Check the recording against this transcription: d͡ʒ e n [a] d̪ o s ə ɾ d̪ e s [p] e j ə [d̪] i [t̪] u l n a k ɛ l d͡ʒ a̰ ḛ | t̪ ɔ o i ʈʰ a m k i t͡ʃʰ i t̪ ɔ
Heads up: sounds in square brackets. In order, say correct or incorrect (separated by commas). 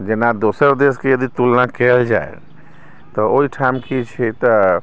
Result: correct, incorrect, correct, correct